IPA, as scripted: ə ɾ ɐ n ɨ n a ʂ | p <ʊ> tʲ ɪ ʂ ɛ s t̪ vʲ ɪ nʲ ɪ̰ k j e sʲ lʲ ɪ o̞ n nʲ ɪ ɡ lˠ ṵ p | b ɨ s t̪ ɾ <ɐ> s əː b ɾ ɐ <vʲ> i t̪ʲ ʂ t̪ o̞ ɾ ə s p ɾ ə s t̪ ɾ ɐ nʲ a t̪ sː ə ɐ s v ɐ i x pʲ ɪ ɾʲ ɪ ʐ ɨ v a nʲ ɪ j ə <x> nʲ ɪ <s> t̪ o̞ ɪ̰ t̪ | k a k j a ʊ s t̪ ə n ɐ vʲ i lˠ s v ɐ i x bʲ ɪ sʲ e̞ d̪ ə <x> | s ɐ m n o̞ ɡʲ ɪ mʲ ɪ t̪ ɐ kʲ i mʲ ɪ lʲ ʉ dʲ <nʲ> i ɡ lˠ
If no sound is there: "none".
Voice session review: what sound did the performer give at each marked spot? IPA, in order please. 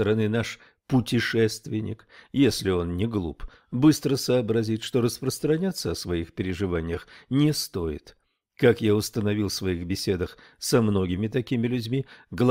ʊ, ə, zʲ, x, s, x, mʲ

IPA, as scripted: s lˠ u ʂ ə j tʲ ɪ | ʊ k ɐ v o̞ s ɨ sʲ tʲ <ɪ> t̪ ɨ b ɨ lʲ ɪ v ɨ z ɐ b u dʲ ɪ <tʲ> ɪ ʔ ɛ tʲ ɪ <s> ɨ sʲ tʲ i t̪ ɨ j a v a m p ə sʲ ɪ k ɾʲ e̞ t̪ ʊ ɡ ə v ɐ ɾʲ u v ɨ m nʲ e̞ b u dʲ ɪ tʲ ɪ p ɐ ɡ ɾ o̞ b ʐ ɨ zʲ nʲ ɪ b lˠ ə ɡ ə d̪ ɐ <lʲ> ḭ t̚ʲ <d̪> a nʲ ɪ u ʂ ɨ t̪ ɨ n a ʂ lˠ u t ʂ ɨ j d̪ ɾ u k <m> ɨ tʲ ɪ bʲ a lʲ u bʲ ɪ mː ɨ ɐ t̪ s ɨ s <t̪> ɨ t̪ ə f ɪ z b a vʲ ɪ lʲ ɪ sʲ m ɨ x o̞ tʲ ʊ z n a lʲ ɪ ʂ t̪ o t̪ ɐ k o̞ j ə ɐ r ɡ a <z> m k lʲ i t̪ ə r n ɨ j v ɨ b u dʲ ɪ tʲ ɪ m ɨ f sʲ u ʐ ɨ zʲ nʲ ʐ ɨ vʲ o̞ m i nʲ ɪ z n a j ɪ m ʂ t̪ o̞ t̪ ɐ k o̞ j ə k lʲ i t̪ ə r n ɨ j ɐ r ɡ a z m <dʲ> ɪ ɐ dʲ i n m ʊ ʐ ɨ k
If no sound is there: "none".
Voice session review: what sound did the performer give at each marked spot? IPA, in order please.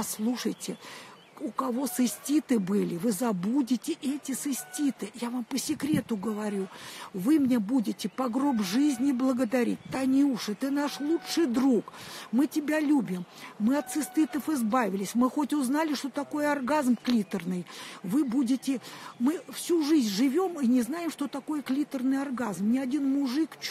i, tʲ, s, ɾʲ, t̪, m, t̪, z, nʲ

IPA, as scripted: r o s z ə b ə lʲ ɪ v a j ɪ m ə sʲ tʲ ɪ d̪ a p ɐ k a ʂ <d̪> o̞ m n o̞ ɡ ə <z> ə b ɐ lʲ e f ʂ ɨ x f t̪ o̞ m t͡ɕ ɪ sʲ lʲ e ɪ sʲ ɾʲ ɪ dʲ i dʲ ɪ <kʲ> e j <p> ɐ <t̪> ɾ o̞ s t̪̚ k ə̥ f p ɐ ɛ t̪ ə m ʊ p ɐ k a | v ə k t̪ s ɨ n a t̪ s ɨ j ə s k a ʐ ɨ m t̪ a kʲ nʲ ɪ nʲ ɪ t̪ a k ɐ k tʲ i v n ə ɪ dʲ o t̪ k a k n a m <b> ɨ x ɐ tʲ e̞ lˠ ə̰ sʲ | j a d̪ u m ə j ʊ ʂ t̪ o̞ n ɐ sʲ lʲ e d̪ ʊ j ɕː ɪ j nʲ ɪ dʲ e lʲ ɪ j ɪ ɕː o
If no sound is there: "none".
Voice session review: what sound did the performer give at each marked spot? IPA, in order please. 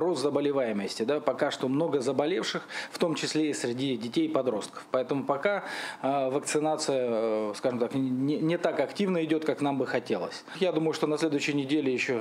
t̪, z, tʲ, p, d̪, b

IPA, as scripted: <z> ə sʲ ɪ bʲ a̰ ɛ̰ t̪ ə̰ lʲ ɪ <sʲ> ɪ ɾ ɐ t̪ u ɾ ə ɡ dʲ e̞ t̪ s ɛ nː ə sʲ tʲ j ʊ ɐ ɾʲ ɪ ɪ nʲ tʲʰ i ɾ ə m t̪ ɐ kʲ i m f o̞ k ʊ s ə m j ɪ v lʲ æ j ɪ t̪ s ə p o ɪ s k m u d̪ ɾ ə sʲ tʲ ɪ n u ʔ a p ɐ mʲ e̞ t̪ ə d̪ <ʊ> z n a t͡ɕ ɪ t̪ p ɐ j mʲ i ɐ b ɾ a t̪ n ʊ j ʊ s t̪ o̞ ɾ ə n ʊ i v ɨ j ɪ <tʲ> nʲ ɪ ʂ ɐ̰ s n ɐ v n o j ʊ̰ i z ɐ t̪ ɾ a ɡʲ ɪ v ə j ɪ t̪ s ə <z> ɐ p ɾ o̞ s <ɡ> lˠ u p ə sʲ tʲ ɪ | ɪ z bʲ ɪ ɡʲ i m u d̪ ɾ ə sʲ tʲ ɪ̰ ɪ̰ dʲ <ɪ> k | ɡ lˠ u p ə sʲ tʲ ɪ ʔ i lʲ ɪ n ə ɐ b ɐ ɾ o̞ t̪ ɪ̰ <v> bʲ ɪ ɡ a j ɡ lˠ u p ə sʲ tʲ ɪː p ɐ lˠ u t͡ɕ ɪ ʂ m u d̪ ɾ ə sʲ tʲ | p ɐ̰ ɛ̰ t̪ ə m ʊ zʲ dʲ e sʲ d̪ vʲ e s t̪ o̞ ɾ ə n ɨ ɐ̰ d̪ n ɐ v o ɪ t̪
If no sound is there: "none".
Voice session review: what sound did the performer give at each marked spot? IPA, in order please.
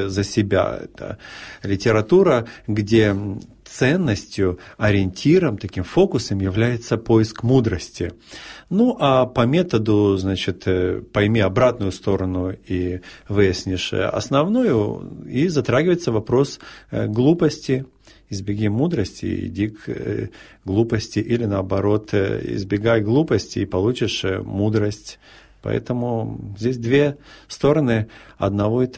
z, tʲ, ʊ, sʲ, v, ɡ, i, z

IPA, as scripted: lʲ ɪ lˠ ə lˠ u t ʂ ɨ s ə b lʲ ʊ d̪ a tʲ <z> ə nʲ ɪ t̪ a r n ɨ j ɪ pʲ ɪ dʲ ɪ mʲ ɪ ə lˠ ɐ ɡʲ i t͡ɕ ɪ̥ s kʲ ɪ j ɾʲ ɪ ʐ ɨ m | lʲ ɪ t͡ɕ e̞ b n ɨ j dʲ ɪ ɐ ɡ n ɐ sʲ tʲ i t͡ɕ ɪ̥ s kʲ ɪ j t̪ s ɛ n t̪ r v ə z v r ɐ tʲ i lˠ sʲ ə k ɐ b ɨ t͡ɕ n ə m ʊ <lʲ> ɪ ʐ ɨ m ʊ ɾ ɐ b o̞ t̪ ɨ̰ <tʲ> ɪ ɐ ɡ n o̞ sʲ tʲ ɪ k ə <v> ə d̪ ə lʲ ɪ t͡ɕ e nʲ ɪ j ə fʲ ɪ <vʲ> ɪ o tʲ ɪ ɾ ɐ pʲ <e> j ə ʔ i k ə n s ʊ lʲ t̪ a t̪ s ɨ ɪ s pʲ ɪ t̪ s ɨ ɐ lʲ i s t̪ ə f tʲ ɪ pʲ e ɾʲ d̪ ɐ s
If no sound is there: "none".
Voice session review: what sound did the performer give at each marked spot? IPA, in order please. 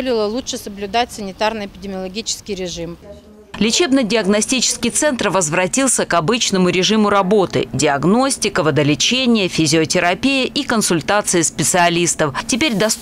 s, ɾʲ, dʲ, v, zʲ, i

